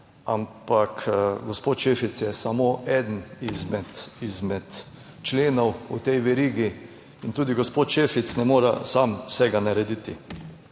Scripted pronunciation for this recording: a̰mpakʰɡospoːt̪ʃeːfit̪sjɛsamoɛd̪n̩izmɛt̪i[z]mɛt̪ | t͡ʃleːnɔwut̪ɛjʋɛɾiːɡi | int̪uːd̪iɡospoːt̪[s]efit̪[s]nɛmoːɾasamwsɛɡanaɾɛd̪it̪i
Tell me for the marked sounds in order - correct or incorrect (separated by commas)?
correct, incorrect, correct